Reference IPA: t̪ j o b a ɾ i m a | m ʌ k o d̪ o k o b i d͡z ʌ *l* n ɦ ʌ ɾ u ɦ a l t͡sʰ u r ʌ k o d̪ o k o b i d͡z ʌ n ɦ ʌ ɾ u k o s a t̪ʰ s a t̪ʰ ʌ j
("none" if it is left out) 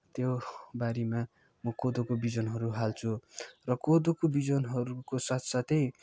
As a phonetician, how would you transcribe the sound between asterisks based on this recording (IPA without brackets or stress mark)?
none